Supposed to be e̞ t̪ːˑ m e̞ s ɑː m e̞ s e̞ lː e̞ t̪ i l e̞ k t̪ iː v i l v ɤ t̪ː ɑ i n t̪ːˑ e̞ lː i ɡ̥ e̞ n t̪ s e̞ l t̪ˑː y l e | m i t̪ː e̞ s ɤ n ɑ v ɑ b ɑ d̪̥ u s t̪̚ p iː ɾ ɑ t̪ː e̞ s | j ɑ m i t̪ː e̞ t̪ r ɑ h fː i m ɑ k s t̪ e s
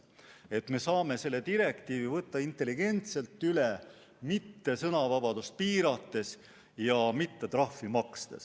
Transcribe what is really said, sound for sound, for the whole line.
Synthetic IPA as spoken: e̞ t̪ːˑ m e̞ s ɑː m e̞ s e̞ lː e̞ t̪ i ɾ e̞ k t̪ iː v i v ɤ t̪ː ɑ i n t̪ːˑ e̞ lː i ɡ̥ e̞ n t̪ s e̞ l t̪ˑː y l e | m i t̪ː e̞ s ɤ n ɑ v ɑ b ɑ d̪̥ u s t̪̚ p iː ɾ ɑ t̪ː e̞ s | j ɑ m i t̪ː e̞ t̪ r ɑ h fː i m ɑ k s t̪ e s